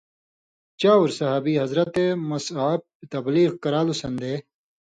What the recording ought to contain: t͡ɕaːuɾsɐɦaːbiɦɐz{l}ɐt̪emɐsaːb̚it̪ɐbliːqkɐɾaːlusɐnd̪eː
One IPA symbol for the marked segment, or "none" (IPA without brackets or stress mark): ɾ